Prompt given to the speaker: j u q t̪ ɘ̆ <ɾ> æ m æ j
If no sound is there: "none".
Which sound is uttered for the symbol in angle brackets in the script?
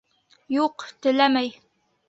l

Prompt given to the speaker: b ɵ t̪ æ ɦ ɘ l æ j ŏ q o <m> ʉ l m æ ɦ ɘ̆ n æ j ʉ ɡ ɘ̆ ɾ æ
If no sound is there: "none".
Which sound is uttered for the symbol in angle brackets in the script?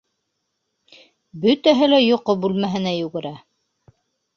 b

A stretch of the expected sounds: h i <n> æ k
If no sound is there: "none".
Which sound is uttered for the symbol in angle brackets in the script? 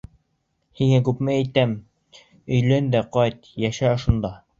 ŋ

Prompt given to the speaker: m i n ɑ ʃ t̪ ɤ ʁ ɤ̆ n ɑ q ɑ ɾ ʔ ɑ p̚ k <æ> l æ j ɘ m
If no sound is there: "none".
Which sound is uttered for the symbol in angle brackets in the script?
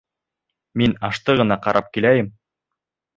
i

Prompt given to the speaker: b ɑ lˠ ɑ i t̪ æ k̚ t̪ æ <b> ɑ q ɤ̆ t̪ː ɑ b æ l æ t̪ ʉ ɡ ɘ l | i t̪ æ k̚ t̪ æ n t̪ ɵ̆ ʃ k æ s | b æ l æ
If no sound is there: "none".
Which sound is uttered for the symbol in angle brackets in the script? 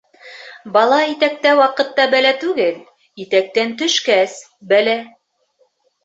w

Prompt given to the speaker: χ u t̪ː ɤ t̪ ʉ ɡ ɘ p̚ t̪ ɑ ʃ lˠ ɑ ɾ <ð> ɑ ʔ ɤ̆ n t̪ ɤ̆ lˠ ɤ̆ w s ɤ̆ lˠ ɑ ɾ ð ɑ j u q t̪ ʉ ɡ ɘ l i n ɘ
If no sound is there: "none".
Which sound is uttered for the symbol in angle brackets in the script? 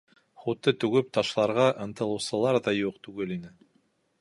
ʁ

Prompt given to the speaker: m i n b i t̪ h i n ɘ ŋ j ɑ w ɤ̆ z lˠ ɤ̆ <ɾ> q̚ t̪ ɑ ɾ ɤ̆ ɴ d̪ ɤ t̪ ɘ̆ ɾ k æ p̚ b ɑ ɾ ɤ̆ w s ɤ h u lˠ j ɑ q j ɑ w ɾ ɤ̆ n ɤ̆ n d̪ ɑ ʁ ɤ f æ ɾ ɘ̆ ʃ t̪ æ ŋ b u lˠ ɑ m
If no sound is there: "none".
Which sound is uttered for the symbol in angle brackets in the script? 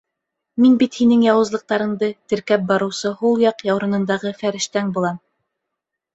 none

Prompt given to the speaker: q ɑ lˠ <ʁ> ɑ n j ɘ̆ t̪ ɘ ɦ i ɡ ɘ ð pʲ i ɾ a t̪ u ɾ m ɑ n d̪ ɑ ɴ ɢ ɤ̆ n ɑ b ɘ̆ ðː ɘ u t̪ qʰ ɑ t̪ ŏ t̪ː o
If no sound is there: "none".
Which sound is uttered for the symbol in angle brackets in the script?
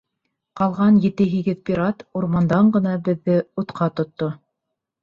ʁ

